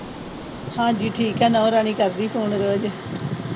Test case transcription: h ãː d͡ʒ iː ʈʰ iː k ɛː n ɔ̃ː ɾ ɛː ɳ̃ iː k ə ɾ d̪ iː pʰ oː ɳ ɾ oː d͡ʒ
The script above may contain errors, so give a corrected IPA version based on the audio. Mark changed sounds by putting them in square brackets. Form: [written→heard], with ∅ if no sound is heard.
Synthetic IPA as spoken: h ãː d͡ʒ iː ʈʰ iː k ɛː n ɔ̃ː ɾ [ɛː→aː] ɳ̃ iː k ə ɾ d̪ iː pʰ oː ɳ ɾ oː d͡ʒ